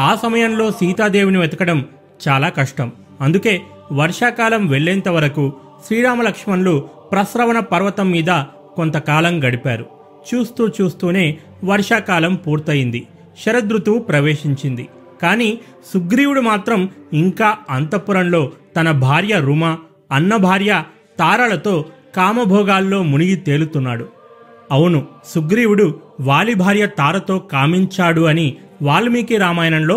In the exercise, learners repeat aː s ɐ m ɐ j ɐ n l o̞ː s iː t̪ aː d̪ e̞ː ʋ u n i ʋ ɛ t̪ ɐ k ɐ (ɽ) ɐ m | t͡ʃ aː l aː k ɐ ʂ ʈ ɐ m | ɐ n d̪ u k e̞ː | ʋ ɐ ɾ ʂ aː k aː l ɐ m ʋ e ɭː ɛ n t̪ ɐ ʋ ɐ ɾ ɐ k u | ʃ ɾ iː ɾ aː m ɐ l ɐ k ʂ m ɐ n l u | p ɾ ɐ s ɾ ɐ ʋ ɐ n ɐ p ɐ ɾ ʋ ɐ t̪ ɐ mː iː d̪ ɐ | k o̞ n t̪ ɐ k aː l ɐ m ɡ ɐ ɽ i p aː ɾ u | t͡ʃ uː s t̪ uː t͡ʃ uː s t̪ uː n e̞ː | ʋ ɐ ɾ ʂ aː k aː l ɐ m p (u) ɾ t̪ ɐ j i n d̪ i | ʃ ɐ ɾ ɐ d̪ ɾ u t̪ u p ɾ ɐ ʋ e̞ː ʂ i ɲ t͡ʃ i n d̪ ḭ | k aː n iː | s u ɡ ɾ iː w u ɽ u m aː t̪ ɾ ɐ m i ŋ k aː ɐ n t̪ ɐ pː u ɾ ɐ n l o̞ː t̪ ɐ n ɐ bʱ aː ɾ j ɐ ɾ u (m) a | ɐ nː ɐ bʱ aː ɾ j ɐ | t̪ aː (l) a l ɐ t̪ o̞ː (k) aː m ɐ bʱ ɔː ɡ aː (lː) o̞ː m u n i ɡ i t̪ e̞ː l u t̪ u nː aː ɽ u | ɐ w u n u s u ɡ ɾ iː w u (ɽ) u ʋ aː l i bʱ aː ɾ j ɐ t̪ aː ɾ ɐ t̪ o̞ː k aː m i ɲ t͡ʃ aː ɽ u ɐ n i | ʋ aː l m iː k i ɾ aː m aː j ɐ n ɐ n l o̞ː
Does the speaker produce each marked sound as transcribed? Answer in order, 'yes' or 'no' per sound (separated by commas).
yes, no, yes, no, yes, yes, yes